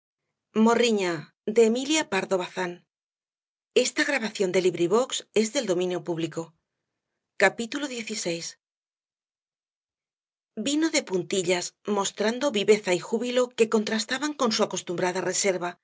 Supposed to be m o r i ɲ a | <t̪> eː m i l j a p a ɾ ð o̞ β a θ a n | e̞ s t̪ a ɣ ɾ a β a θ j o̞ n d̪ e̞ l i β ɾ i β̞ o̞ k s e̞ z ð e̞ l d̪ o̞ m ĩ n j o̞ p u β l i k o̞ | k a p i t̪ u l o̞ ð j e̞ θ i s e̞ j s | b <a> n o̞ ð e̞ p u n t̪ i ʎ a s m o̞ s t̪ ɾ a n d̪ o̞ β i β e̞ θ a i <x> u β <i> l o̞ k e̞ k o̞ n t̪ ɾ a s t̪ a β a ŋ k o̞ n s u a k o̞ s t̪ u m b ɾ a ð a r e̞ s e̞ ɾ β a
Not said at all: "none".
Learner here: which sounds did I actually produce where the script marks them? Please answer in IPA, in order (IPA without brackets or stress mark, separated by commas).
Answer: d̪, i, x, i